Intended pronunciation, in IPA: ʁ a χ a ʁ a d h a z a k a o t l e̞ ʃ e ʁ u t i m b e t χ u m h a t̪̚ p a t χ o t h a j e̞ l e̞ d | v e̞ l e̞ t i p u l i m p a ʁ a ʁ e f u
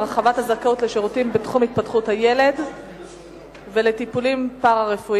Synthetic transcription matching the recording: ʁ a χ a v a t h a z a k a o t l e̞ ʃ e ʁ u t i m b e t χ u m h i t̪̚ p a t χ u t h a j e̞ l e̞ d | v e̞ l e̞ t i p u l i m p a ʁ a ʁ e f u